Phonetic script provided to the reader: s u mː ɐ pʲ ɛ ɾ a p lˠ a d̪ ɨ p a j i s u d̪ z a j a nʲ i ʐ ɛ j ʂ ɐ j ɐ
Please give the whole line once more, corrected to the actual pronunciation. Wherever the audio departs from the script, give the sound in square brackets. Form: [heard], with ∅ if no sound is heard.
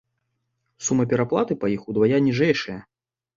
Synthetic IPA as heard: s u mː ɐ pʲ ɛ ɾ a p lˠ a [t̪] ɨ p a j i [x] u d̪ [v] a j a nʲ i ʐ ɛ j ʂ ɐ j ɐ